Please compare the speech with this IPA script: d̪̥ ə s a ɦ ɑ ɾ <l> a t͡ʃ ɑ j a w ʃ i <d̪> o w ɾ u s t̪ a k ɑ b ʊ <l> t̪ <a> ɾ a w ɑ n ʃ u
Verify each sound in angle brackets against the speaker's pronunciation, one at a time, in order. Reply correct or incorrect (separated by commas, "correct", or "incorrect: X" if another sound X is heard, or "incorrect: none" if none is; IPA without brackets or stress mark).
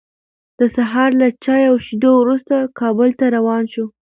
correct, correct, correct, correct